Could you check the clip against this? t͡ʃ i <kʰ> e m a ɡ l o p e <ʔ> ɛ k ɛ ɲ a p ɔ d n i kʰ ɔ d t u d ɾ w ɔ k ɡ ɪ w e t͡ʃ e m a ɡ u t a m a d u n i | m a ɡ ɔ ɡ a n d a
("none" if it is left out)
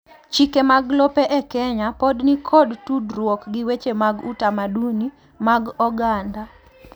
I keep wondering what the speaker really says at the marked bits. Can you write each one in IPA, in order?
k, ʔ

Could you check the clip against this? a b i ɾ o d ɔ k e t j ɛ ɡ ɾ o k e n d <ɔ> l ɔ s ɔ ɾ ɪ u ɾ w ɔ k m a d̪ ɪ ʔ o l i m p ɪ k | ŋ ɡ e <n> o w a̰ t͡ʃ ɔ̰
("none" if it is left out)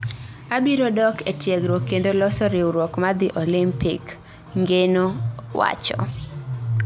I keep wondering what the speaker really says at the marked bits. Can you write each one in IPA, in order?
o, n

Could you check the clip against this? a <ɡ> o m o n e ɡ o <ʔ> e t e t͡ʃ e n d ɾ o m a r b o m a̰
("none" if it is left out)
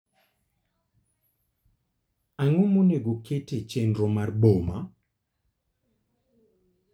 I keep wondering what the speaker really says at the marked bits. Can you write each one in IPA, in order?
ŋ, k

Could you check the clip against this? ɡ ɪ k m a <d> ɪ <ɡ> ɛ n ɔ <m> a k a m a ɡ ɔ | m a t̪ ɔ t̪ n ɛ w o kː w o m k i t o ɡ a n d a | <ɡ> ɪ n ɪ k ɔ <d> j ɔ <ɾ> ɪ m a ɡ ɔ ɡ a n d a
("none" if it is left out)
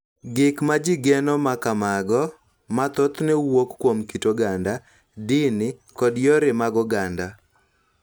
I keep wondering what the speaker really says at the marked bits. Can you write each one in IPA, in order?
d͡ʒ, ɡ, m, d, d, ɾ

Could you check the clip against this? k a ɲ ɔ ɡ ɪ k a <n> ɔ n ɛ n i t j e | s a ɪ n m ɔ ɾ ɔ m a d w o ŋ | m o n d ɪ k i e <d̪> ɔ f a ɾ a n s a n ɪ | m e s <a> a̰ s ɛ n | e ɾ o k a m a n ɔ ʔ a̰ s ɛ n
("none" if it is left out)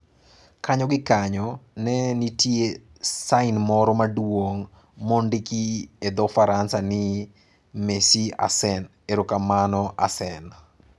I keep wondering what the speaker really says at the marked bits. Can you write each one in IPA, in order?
ɲ, d̪, i

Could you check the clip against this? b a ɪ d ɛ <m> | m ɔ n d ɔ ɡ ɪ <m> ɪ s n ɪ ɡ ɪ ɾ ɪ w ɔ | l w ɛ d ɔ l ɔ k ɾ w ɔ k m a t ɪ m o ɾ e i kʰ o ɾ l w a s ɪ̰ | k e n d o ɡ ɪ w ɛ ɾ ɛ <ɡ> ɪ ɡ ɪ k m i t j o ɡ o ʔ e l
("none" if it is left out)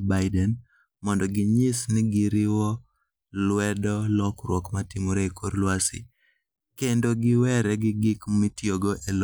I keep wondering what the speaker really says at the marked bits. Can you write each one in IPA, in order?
n, ɲ, ɡ

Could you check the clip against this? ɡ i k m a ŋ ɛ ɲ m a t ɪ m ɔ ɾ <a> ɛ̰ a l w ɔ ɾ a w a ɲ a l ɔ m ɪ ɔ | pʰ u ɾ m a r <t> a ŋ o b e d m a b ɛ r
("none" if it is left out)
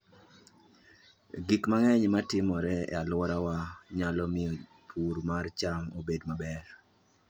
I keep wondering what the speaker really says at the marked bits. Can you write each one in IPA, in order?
ɛ, t͡ʃ

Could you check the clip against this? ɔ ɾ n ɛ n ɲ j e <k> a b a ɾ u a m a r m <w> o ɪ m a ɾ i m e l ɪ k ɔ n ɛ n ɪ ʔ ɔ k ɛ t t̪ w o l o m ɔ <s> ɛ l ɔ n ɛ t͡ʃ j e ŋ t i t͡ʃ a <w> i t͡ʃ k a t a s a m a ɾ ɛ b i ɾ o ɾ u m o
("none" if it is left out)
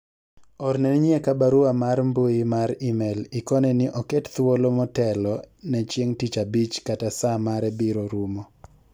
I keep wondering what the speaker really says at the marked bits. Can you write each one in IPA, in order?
k, b, t, b

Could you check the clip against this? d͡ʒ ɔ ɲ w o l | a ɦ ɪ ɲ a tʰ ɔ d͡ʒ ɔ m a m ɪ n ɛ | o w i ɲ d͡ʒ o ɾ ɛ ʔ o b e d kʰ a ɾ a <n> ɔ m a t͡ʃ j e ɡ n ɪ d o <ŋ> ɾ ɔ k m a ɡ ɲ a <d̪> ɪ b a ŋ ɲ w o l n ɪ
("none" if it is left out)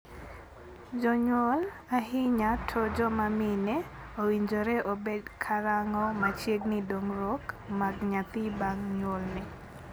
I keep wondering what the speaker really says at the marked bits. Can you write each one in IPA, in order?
ŋ, ŋ, t̪

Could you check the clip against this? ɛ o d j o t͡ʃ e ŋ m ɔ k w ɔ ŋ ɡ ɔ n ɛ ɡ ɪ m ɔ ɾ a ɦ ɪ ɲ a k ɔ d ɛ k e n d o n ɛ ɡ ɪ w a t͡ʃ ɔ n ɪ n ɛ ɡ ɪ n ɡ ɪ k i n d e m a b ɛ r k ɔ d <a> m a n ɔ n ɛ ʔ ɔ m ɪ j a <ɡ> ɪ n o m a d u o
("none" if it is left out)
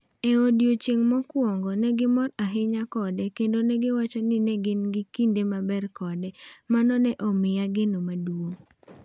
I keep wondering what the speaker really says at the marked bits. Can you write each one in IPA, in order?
ɛ, ɡ

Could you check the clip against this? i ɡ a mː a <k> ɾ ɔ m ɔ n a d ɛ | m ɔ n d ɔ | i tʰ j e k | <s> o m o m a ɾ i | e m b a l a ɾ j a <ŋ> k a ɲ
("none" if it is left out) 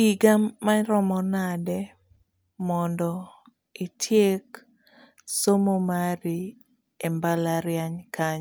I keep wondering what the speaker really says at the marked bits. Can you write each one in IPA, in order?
none, s, ɲ

